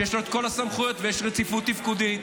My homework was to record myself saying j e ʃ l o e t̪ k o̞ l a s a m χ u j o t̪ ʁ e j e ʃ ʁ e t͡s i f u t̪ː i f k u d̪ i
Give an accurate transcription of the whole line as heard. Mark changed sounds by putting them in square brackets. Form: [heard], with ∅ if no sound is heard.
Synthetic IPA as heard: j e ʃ l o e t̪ k o̞ l a s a m χ u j o t̪ [v] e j e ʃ ʁ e t͡s i f u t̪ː i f k u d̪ i